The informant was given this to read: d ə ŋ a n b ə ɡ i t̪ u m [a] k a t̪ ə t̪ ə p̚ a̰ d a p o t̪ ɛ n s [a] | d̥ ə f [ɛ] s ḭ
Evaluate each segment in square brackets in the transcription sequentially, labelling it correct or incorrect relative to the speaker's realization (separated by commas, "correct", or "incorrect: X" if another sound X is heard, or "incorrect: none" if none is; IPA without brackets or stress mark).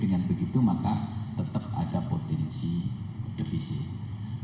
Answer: correct, incorrect: i, incorrect: i